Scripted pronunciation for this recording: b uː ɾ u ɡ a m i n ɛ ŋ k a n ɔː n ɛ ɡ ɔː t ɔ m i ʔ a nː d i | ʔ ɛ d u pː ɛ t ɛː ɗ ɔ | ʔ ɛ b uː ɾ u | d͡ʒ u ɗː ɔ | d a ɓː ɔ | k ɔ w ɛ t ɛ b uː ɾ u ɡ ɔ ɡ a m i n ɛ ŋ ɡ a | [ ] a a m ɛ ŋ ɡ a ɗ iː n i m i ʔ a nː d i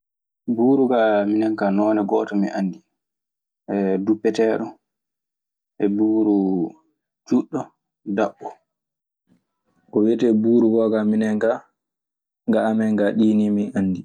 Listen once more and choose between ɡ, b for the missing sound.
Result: ɡ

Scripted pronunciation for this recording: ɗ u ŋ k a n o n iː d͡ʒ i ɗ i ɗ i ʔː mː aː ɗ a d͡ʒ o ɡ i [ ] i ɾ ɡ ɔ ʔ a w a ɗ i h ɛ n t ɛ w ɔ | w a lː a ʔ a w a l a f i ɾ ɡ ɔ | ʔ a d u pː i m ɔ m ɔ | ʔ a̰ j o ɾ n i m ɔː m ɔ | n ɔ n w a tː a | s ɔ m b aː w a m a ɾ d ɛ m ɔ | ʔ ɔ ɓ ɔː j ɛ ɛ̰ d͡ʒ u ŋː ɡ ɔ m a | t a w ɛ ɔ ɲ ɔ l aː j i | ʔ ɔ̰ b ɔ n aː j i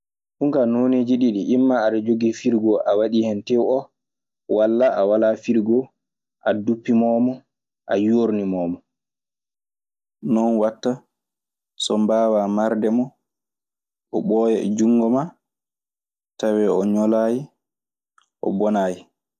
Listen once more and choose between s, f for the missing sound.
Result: f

